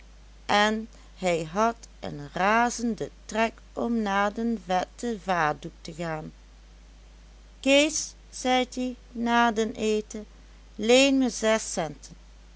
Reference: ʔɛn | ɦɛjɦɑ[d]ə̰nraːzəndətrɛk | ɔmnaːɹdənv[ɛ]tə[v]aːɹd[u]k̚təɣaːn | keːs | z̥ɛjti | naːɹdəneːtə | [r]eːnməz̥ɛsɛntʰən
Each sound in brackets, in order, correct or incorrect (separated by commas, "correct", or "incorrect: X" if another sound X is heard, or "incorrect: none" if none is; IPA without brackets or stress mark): incorrect: t, correct, correct, correct, incorrect: l